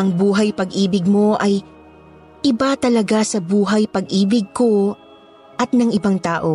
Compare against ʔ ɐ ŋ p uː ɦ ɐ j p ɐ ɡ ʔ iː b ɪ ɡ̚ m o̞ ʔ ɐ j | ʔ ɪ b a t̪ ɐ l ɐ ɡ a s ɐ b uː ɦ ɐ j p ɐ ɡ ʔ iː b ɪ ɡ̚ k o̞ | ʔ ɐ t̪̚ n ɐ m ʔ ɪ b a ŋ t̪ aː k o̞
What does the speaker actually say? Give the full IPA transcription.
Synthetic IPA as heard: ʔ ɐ ŋ b uː ɦ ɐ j p ɐ ɡ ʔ iː b ɪ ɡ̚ m o̞ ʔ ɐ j | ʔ ɪ b a t̪ ɐ l ɐ ɡ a s ɐ b uː ɦ ɐ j p ɐ ɡ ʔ iː b ɪ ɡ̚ k o̞ | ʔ ɐ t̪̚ n ɐ ŋ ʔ ɪ b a ŋ t̪ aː ʔ o̞